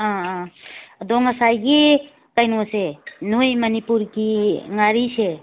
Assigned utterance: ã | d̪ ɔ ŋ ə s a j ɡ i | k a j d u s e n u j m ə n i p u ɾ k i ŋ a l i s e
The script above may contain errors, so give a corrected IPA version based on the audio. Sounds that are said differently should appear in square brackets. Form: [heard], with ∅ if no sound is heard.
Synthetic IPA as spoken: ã | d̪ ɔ ŋ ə s a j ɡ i | k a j [n] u s e n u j m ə n i p u ɾ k i ŋ a [ɾ] i s e